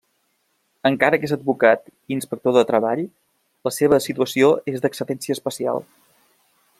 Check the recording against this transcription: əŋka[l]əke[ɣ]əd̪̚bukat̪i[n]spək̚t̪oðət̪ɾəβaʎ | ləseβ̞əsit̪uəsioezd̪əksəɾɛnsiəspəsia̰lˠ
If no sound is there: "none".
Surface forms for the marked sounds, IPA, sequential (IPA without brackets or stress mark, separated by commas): ɾ, z, n